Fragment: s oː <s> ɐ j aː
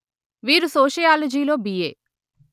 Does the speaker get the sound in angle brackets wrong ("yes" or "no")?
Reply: yes